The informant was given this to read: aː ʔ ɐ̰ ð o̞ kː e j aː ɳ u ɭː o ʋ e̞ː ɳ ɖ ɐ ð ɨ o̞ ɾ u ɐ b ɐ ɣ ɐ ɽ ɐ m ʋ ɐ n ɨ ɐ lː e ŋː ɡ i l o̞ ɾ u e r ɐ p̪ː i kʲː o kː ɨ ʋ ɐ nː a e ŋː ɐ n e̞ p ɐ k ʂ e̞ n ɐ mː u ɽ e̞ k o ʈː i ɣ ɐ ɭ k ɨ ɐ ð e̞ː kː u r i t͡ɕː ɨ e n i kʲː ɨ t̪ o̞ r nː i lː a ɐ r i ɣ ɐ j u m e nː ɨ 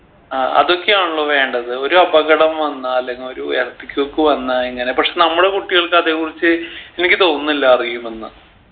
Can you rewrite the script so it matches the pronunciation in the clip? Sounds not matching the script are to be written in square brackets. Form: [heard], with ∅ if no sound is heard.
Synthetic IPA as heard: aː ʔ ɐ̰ ð o̞ kː e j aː ɳ u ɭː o ʋ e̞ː ɳ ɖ ɐ ð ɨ o̞ ɾ u ɐ b ɐ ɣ ɐ ɽ ɐ m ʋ ɐ [nː] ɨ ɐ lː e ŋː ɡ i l o̞ ɾ u e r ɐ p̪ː i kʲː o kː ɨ ʋ ɐ nː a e ŋː ɐ n e̞ p ɐ k ʂ e̞ n ɐ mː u ɽ e̞ k [u] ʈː i ɣ ɐ ɭ k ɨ ɐ ð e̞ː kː u r i t͡ɕː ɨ e n i kʲː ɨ t̪ o̞ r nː i lː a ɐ r i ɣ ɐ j u m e nː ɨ